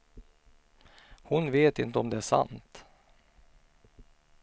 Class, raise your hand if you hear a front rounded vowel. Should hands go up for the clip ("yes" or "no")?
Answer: no